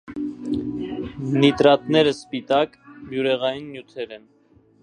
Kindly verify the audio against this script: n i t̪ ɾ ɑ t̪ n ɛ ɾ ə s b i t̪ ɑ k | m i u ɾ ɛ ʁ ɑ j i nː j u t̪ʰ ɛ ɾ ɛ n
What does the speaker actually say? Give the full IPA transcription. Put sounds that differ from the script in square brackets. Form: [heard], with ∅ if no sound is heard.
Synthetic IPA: n i t̪ ɾ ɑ t̪ n ɛ ɾ ə s [p] i t̪ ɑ k | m [j] u ɾ ɛ ʁ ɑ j i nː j u t̪ʰ ɛ ɾ ɛ n

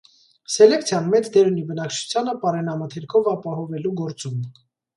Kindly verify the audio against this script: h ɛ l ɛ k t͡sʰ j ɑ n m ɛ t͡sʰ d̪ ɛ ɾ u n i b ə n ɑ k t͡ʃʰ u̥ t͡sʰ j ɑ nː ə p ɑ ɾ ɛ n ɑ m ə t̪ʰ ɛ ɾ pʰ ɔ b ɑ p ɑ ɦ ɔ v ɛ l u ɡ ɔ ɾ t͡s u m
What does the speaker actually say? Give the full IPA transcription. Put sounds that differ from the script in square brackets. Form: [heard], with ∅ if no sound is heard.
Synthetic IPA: [s] ɛ l ɛ k t͡sʰ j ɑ n m ɛ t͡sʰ d̪ ɛ ɾ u n i b ə n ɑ k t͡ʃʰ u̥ t͡sʰ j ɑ [n] ə p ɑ ɾ ɛ n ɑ m ə t̪ʰ ɛ ɾ [kʰ] ɔ [v] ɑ p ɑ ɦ ɔ v ɛ l u ɡ ɔ ɾ t͡s u m

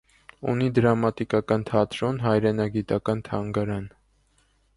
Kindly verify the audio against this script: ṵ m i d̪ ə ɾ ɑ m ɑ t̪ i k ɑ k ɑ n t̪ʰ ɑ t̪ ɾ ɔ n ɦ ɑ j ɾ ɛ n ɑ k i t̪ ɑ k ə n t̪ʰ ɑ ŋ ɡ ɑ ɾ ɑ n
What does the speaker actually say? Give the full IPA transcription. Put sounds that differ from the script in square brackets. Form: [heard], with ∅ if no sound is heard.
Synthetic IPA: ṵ [n] i d̪ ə ɾ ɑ m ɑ t̪ i k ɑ k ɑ n t̪ʰ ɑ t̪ ɾ ɔ n ɦ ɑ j ɾ ɛ n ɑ [ɡ] i t̪ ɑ k [ɑ] n t̪ʰ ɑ ŋ ɡ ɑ ɾ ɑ n

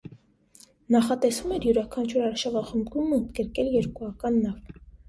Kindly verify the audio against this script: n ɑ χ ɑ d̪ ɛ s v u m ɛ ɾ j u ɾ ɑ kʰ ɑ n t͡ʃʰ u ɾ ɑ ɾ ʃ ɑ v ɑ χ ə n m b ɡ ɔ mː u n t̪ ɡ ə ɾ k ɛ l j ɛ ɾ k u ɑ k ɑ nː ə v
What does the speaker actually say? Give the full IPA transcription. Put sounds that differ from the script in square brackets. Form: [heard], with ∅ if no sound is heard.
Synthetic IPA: n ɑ χ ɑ [t̪] ɛ s v u m ɛ ɾ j u ɾ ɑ kʰ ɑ n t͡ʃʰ u ɾ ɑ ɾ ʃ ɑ v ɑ χ ə [∅] m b ɡ [u] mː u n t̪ ɡ ə ɾ k ɛ l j ɛ ɾ k u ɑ k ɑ nː [ɑ] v

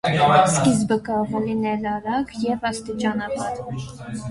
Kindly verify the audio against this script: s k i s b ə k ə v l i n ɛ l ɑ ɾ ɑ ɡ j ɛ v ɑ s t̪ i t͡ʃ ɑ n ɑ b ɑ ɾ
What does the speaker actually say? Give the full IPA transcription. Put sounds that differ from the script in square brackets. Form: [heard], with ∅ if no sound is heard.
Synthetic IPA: s k i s b ə k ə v l i n ɛ l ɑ ɾ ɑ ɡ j ɛ v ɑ s t̪ i t͡ʃ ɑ n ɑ b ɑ ɾ

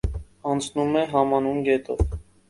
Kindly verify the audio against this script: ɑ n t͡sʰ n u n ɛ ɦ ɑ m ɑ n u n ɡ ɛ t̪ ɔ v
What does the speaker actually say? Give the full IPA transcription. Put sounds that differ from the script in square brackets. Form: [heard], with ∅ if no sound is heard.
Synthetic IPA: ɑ n t͡sʰ n u [m] ɛ ɦ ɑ m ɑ n u n ɡ ɛ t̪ ɔ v

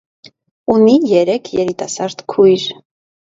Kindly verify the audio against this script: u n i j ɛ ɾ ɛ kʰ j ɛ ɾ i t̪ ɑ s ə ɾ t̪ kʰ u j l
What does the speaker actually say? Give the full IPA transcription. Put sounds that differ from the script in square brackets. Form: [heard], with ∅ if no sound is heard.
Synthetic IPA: u n i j ɛ ɾ ɛ kʰ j ɛ ɾ i t̪ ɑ s [ɑ] ɾ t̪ kʰ u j [ɾ]

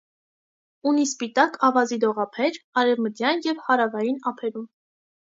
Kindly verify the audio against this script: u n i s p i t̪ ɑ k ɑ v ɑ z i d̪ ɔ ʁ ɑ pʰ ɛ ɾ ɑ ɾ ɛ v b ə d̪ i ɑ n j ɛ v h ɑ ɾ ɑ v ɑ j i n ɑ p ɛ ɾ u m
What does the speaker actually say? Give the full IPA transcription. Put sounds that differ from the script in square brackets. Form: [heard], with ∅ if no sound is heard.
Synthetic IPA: u n i s p i t̪ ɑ k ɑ v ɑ z i d̪ ɔ ʁ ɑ pʰ ɛ ɾ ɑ ɾ ɛ v [m] ə d̪ [j] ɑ n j ɛ v h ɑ ɾ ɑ v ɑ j i n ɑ [pʰ] ɛ ɾ u m

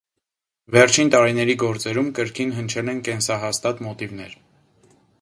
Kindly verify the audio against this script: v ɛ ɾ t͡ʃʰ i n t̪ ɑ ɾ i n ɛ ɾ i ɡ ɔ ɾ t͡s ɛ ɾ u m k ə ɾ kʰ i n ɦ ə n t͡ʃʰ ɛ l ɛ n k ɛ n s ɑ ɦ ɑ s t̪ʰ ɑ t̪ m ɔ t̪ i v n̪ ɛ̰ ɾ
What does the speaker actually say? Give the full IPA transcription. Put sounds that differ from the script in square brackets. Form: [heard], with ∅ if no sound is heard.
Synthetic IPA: v ɛ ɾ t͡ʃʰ i n t̪ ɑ ɾ i n ɛ ɾ i ɡ ɔ ɾ t͡s ɛ ɾ u m k ə ɾ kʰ i n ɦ ə n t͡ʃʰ ɛ l ɛ n k ɛ n s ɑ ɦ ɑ s [t̪] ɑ t̪ m ɔ t̪ i v n̪ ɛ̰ ɾ

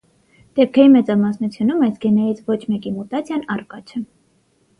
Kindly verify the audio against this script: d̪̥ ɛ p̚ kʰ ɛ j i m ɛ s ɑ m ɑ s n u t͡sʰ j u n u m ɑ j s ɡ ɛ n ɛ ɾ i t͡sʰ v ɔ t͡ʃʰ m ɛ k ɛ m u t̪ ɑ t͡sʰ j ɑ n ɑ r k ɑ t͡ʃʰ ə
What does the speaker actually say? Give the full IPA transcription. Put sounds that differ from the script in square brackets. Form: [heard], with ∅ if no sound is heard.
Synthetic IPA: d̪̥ ɛ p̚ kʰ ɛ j i m ɛ [t͡s] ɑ m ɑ s n u t͡sʰ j u n u m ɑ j s ɡ ɛ n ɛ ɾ i t͡sʰ v ɔ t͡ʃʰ m ɛ k [i] m u t̪ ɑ t͡sʰ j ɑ n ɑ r k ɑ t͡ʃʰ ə

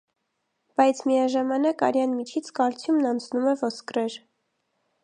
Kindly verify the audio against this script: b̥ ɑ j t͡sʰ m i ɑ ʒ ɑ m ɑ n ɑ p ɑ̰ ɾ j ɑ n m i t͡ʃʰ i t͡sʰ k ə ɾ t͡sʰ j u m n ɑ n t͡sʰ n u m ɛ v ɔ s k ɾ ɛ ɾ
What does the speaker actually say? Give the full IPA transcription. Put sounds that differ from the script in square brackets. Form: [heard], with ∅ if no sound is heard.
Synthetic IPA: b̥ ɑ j t͡sʰ m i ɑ ʒ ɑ m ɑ n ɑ [k] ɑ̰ ɾ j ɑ n m i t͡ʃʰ i t͡sʰ k [ɑ] ɾ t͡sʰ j u m n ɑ n t͡sʰ n u m ɛ v ɔ s k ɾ ɛ ɾ

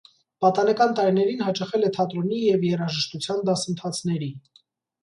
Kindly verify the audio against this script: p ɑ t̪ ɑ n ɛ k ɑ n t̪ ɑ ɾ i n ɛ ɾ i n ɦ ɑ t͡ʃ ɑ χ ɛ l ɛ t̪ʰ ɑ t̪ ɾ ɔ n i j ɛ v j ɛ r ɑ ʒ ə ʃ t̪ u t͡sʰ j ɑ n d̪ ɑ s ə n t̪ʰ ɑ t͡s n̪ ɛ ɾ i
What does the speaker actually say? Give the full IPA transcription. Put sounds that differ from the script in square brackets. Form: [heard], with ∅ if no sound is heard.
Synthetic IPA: p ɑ t̪ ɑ n ɛ k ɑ n t̪ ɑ ɾ i n ɛ ɾ i n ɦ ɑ t͡ʃ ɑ χ ɛ l ɛ t̪ʰ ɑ t̪ ɾ ɔ n i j ɛ v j ɛ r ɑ ʒ ə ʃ t̪ u t͡sʰ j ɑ n d̪ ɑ s ə n t̪ʰ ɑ [t͡sʰ] n̪ ɛ ɾ i

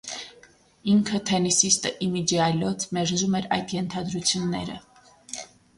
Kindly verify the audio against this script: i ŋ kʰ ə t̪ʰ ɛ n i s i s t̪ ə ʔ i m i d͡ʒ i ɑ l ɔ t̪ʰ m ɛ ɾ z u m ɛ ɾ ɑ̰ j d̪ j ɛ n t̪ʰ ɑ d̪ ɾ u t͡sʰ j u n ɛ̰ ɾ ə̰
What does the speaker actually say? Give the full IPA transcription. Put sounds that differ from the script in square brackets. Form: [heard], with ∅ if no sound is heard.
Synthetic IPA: i ŋ kʰ ə t̪ʰ ɛ n i s i s t̪ ə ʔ i m i d͡ʒ i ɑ l ɔ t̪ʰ m ɛ ɾ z u m ɛ ɾ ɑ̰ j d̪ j ɛ n t̪ʰ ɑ d̪ ɾ u t͡sʰ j u [nː] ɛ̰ ɾ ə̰

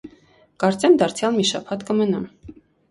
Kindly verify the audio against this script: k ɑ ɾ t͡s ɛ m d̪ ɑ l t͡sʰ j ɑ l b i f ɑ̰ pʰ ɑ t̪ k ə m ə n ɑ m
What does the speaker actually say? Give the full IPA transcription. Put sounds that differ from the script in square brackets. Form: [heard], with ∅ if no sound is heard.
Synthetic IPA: k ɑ ɾ t͡s ɛ m d̪ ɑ [ɾ] t͡sʰ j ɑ l [m] i [ʃ] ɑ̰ pʰ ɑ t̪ k ə m ə n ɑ m

